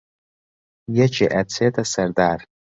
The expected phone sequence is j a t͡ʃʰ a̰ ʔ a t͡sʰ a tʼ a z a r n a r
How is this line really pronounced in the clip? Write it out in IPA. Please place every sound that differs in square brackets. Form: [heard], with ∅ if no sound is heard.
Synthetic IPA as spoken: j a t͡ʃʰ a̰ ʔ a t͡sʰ [e] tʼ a [s] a r [d] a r